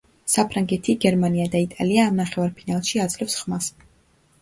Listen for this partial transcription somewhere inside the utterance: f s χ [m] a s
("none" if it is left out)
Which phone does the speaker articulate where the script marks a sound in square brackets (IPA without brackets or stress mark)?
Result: m